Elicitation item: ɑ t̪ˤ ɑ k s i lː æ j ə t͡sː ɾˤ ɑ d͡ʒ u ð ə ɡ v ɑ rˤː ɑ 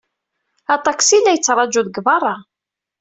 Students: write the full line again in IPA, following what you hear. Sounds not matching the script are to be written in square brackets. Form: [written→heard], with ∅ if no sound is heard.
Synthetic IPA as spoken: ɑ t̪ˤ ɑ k s i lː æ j ə t͡sː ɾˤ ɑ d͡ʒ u ð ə ɡ v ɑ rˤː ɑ